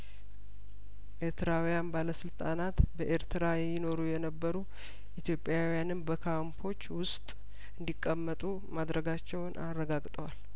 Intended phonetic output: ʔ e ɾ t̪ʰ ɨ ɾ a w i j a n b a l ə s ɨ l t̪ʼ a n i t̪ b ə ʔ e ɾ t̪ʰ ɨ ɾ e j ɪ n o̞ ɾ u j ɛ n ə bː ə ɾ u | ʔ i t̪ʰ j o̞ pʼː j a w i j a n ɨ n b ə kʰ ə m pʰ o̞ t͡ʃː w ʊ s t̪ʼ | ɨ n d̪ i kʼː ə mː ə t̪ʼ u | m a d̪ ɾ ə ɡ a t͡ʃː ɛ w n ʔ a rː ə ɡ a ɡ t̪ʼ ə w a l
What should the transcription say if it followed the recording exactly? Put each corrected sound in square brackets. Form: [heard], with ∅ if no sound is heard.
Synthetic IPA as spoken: ʔ e ɾ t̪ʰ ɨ ɾ a w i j a n b a l ə s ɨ l t̪ʼ a n [a] t̪ b ə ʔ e ɾ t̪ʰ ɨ ɾ [a] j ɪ n o̞ ɾ u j ɛ n ə bː ə ɾ u | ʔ i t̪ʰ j o̞ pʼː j a w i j a n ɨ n b ə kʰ [a] m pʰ o̞ t͡ʃː w ʊ s t̪ʼ | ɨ n d̪ i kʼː ə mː ə t̪ʼ u | m a d̪ ɾ ə ɡ a t͡ʃː ɛ w n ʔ a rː ə ɡ a ɡ t̪ʼ ə w a l